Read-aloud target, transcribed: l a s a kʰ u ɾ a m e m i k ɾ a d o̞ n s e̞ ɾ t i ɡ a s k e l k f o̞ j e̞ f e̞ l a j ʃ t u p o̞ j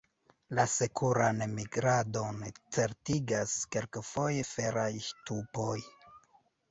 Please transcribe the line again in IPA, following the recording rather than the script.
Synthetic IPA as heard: l a s e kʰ u ɾ a n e m i ɡ ɾ a d o̞ n t͡s e̞ ɾ t i ɡ a s k e l k f o̞ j e̞ f e̞ ɾ a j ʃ t u p o̞ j